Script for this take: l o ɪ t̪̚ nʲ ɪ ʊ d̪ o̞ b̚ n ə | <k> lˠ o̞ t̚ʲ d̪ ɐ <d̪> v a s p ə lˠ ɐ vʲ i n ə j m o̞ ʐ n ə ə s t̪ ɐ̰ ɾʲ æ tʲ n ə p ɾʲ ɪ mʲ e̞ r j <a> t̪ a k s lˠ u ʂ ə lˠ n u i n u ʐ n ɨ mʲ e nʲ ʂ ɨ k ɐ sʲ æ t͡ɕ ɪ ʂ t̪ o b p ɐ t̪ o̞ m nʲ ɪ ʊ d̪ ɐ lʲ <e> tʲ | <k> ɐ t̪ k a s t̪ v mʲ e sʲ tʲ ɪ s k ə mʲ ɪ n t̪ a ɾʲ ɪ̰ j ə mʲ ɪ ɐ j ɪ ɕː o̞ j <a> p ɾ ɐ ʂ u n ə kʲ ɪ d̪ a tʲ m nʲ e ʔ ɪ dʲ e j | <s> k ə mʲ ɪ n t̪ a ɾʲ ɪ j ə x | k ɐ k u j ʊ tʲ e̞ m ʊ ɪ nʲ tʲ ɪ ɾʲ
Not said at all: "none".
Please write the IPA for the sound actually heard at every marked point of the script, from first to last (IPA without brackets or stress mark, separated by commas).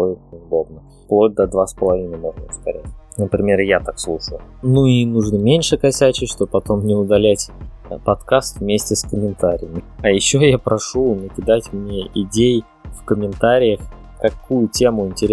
p, d̪, a, æ, p, a, f